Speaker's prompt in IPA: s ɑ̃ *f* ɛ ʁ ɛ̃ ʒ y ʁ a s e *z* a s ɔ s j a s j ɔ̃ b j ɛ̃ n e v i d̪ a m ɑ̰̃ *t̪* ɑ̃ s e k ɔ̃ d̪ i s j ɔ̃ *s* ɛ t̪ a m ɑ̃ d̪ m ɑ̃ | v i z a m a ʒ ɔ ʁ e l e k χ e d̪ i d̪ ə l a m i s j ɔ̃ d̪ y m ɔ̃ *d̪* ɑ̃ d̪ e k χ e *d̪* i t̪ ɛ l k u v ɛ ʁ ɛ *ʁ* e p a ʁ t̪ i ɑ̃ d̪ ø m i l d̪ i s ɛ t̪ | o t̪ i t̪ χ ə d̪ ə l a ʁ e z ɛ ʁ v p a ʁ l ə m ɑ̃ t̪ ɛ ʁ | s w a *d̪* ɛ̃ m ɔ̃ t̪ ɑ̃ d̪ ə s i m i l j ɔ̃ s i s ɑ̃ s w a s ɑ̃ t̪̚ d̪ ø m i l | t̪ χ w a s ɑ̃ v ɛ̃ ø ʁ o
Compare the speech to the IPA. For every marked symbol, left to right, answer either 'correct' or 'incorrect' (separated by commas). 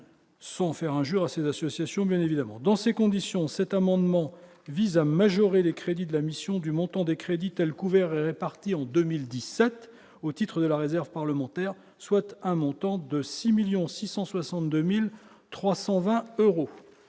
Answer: correct, correct, incorrect, correct, incorrect, correct, correct, incorrect